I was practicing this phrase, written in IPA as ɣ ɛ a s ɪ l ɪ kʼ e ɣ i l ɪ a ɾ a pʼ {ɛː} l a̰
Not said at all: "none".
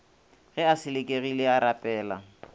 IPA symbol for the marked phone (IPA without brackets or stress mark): ɛː